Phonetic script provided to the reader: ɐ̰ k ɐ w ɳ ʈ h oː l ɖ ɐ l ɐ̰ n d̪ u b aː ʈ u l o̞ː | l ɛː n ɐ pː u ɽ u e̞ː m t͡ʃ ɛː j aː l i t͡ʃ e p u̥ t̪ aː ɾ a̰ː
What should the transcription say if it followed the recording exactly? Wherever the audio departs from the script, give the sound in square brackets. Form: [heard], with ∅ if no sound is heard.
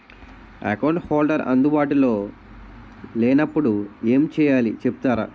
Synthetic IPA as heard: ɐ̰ k ɐ w ɳ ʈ h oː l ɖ ɐ [ɾ] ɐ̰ n d̪ u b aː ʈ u l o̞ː | l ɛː n ɐ pː u ɽ u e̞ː m t͡ʃ ɛː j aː l i t͡ʃ e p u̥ t̪ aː ɾ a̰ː